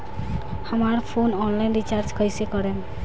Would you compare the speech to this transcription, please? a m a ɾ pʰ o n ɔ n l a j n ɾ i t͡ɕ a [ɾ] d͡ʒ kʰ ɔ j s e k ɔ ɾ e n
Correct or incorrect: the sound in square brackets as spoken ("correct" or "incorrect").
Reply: correct